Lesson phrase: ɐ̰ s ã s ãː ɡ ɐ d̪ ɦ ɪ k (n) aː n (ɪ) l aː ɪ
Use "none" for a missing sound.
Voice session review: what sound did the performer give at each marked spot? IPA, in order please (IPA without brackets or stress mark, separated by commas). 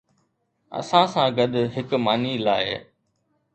m, i